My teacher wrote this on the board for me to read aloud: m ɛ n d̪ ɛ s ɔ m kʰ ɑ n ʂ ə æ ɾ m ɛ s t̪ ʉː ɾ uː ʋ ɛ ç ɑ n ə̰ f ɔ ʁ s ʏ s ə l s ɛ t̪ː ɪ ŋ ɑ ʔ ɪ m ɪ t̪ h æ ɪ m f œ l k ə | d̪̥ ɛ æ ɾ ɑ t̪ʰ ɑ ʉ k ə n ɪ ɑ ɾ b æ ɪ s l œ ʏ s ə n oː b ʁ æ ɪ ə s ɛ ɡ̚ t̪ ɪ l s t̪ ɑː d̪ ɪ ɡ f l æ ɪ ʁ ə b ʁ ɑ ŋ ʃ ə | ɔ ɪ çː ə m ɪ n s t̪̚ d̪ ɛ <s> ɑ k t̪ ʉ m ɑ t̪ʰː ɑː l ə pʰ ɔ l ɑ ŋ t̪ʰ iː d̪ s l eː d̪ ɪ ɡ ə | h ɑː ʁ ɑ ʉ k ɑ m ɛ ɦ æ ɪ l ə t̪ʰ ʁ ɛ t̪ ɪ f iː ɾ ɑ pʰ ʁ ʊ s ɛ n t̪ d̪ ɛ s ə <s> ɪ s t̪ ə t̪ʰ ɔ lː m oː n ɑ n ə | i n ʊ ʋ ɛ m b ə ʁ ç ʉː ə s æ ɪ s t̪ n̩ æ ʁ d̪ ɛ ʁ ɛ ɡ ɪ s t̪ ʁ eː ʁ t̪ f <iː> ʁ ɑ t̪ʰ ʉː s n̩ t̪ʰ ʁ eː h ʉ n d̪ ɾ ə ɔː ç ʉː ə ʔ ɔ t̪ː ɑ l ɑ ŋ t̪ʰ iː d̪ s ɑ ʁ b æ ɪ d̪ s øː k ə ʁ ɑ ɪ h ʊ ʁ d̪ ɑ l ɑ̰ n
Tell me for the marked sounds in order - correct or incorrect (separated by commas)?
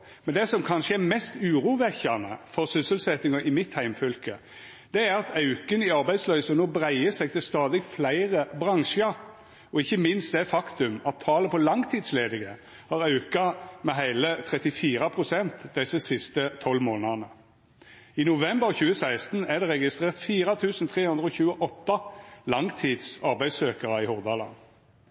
incorrect, correct, correct